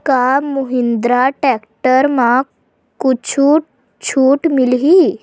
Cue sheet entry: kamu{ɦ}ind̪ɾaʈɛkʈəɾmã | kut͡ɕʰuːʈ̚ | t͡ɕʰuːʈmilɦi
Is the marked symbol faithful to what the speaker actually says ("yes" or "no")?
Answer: yes